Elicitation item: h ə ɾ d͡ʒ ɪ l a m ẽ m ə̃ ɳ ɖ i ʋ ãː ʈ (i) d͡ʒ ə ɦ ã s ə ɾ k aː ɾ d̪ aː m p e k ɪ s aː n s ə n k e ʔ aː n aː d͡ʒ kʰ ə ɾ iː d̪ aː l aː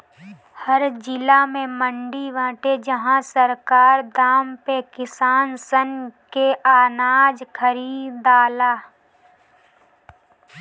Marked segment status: incorrect: e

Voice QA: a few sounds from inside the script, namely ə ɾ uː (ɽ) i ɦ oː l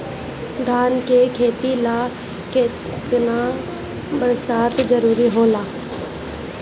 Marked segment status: incorrect: ɾ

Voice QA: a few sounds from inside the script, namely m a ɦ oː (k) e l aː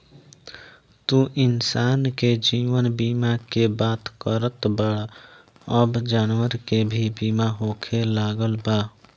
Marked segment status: incorrect: kʰ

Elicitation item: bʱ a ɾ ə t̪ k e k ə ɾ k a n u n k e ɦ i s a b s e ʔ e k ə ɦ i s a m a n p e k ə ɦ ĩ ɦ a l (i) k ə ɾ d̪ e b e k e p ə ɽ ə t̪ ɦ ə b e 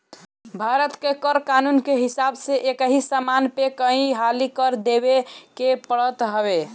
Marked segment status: correct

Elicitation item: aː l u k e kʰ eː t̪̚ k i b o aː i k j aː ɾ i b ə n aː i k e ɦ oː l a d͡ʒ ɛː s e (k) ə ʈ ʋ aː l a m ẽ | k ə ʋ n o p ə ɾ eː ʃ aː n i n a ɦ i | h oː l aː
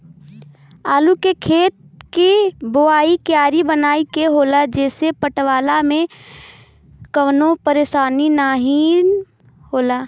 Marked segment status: incorrect: p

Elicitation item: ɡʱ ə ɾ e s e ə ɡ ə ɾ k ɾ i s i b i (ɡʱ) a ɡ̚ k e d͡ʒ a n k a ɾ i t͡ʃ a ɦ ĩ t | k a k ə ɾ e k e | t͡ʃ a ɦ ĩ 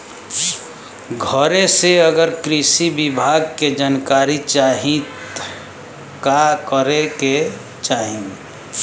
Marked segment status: incorrect: bʱ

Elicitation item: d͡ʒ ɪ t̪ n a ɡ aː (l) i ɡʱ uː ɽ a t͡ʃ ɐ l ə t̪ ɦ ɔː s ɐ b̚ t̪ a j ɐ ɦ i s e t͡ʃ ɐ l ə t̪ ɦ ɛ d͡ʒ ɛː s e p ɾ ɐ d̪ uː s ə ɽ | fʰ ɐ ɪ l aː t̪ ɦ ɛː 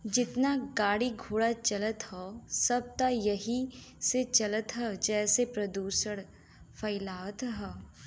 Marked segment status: incorrect: ɽ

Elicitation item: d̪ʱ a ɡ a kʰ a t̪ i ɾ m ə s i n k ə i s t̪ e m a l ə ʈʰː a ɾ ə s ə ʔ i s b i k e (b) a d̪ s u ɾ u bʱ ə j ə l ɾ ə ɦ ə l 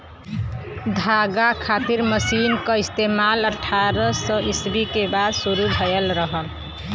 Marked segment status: correct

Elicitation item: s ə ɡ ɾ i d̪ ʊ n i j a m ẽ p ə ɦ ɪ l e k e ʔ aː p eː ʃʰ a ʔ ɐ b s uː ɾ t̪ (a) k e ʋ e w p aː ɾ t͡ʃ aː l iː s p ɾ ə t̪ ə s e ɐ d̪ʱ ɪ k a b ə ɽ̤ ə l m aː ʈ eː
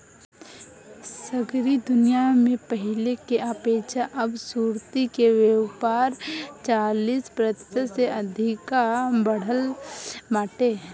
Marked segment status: incorrect: i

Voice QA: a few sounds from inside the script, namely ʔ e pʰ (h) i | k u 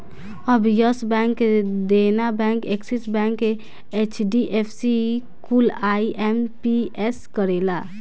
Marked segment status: incorrect: s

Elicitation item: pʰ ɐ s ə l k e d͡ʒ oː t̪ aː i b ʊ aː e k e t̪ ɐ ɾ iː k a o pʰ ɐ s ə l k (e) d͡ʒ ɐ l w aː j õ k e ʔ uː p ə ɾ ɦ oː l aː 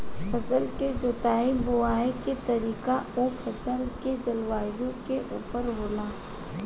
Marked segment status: correct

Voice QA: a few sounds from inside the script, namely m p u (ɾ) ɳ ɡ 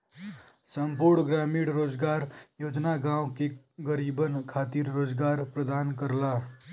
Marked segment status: correct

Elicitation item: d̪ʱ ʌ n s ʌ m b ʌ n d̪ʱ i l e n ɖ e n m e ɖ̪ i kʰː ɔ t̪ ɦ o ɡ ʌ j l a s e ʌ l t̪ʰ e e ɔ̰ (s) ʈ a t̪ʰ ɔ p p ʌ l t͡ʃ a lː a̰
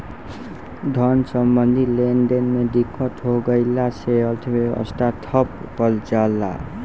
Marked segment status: correct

